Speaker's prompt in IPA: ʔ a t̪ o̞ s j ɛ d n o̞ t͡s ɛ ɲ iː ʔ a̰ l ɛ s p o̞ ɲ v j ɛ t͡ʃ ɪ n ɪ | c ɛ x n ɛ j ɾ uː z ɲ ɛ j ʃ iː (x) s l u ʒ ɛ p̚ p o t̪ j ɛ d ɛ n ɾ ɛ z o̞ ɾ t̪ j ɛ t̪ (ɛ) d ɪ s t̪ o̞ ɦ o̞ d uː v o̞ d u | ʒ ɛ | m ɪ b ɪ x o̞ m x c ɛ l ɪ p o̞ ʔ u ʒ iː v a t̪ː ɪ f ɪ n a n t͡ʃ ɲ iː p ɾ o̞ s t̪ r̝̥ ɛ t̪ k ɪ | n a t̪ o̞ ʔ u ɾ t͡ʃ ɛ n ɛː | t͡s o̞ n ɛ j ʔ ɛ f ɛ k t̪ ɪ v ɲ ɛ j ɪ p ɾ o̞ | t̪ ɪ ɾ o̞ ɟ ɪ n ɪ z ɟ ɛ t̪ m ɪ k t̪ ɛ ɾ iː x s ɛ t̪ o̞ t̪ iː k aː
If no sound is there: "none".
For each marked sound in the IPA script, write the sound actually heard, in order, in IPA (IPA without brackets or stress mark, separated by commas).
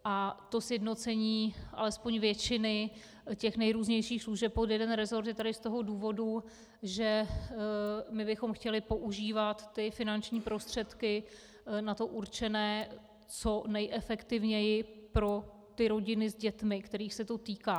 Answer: x, a